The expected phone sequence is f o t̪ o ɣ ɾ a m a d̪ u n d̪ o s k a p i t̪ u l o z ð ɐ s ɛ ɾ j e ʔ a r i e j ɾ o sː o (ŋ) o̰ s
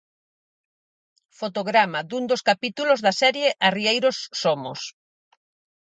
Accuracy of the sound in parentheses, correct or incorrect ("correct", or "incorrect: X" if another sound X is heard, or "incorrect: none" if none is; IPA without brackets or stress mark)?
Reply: incorrect: m